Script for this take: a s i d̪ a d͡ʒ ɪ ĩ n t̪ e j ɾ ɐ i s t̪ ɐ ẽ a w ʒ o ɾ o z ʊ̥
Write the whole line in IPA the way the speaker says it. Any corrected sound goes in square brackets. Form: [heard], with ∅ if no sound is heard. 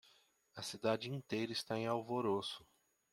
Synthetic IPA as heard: [ɐ] s i d̪ a d͡ʒ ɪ ĩ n t̪ e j ɾ ɐ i s t̪ [a] ẽ a w [v] o ɾ o [s] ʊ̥

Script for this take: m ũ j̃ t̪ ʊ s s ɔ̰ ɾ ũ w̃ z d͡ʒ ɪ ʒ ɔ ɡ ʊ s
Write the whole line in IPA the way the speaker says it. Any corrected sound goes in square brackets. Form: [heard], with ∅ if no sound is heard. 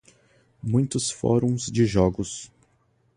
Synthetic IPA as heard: m ũ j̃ t̪ ʊ s [f] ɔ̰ ɾ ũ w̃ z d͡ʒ ɪ ʒ ɔ ɡ ʊ s

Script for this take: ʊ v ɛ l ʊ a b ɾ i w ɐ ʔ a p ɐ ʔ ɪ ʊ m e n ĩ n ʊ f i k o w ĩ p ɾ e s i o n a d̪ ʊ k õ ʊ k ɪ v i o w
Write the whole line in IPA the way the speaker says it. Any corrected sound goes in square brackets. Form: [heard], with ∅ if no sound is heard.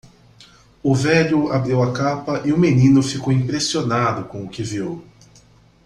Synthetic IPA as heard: ʊ v ɛ [ʎ] ʊ a b ɾ i w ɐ [k] a p ɐ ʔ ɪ ʊ m e n ĩ n ʊ f i k o w ĩ p ɾ e s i o n a d̪ ʊ k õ ʊ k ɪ v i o w

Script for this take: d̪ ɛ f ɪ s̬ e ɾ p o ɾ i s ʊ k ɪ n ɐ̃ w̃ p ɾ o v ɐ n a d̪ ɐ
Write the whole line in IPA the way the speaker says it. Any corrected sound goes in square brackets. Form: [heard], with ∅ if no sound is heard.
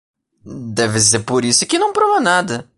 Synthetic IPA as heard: d̪ ɛ [v] ɪ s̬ e ɾ p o ɾ i s ʊ k ɪ n ɐ̃ w̃ p ɾ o v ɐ n a d̪ ɐ

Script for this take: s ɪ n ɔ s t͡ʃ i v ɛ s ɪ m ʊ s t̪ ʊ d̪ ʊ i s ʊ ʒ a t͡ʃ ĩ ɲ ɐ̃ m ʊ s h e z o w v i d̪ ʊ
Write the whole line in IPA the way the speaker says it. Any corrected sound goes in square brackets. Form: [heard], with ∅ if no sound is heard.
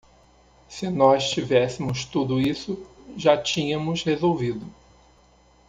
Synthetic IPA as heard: s ɪ n ɔ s t͡ʃ i v ɛ s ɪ m ʊ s t̪ [u] d̪ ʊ i s ʊ ʒ a t͡ʃ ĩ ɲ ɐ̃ m ʊ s h e z o w v i d̪ ʊ

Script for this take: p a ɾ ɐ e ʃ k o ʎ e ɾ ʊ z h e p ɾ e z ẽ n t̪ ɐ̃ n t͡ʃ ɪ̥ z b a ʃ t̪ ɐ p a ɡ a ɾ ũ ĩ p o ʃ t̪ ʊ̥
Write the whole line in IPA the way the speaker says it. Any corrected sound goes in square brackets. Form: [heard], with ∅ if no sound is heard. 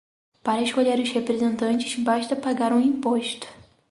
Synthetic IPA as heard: p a ɾ ɐ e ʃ k o ʎ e ɾ ʊ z h e p ɾ e z ẽ n t̪ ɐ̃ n t͡ʃ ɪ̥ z b a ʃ t̪ ɐ p a ɡ a ɾ ũ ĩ p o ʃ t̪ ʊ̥

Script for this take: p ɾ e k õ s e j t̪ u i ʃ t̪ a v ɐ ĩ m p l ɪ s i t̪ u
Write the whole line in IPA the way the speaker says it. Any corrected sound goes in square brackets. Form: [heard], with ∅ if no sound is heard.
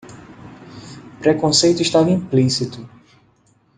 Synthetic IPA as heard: p ɾ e k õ s e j t̪ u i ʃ t̪ a v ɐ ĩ m p l [i] s i t̪ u

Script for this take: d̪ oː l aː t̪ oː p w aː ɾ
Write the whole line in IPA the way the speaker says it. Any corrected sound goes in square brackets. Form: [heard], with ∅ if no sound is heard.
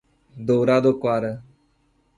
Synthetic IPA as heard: d̪ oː [ɾ] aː [d̪] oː [k] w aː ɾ

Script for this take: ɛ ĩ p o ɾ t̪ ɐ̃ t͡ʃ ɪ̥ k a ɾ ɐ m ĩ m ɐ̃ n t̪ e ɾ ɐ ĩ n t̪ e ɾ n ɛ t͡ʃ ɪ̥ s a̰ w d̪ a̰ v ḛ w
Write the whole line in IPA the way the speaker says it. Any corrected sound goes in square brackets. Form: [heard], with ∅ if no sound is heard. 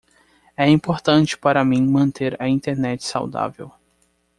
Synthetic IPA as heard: ɛ ĩ p o ɾ t̪ ɐ̃ t͡ʃ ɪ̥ [p] a ɾ ɐ m ĩ m ɐ̃ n t̪ e ɾ ɐ ĩ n t̪ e ɾ n ɛ t͡ʃ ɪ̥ s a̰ w d̪ a̰ v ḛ w

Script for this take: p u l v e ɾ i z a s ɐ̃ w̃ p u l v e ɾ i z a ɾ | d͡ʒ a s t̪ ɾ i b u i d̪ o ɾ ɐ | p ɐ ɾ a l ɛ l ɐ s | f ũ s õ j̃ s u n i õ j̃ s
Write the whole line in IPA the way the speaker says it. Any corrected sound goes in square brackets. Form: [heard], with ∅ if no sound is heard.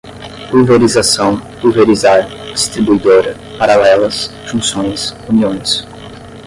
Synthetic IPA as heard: p u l v e ɾ i z a s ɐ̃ w̃ p u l v e ɾ i z a ɾ | d͡ʒ [i] s t̪ ɾ i b u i d̪ o ɾ ɐ | p [a] ɾ a l ɛ l ɐ s | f ũ s õ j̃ s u n i õ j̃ s

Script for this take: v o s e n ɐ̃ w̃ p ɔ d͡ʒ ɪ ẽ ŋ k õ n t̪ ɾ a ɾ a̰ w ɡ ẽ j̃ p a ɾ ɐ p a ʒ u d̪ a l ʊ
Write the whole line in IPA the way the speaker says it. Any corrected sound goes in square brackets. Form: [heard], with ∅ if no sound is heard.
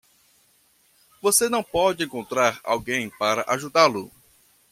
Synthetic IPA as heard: v o s e n ɐ̃ w̃ p ɔ d͡ʒ ɪ ẽ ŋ k õ n t̪ ɾ a ɾ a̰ w ɡ ẽ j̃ p a ɾ ɐ [ʔ] a ʒ u d̪ a l ʊ

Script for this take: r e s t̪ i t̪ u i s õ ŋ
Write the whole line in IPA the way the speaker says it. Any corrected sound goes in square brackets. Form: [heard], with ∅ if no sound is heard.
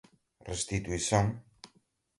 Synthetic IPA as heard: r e s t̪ i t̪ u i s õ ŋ

